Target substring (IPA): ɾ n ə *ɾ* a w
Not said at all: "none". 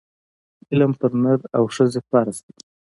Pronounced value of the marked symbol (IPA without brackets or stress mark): ɾ